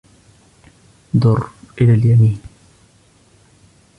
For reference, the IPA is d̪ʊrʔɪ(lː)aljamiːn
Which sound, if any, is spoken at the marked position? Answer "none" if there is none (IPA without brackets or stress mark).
l